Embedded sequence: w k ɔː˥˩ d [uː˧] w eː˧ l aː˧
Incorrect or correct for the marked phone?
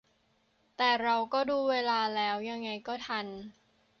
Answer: correct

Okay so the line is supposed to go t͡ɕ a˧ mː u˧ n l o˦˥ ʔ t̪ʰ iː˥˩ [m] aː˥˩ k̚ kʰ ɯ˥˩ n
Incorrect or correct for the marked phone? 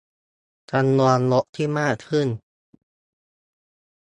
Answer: correct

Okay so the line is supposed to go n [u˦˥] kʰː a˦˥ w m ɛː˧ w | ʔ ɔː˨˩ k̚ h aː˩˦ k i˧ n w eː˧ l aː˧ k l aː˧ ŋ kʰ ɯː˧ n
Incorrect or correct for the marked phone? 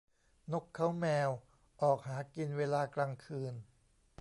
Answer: incorrect: o˦˥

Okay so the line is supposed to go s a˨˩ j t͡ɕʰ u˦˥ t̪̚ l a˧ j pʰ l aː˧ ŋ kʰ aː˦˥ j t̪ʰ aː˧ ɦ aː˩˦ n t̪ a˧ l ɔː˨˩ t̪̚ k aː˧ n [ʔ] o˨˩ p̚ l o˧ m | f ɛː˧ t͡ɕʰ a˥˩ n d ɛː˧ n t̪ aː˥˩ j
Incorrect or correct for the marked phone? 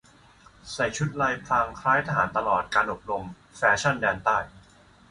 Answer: correct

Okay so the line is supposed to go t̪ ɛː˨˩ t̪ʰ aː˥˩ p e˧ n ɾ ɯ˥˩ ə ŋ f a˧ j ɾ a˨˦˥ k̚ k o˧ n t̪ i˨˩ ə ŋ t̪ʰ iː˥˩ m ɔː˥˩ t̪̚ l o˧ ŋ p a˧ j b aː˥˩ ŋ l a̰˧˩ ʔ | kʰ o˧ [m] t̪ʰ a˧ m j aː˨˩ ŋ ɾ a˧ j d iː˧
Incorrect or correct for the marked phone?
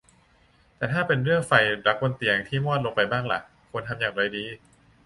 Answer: incorrect: n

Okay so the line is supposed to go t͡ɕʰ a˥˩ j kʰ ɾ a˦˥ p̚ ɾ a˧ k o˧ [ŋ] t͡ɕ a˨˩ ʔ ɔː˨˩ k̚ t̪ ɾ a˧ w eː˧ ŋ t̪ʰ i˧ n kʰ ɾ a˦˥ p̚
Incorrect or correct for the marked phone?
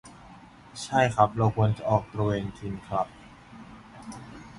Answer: incorrect: n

